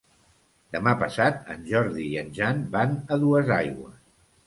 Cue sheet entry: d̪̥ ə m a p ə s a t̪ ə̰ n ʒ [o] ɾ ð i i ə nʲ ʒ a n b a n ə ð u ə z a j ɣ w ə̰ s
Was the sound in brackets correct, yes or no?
no